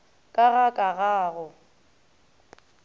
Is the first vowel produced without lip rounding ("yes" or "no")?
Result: yes